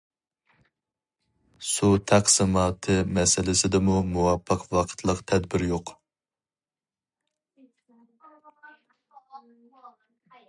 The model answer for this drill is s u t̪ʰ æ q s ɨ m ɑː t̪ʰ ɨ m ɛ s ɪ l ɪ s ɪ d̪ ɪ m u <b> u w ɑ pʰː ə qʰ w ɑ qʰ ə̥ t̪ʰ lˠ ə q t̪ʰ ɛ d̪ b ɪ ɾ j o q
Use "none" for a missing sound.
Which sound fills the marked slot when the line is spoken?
m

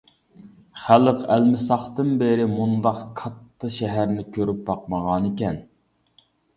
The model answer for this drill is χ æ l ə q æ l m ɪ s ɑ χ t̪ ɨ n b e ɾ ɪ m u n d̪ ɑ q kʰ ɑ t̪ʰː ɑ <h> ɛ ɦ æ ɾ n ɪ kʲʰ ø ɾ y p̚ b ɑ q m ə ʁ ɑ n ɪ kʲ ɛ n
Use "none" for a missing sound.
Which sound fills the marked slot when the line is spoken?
ʃ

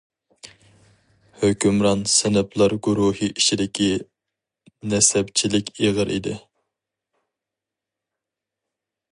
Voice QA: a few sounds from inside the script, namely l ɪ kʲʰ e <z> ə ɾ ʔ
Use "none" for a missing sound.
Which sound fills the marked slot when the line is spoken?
ʁ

